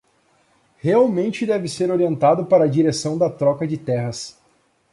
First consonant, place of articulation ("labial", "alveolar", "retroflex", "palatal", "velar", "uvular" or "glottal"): glottal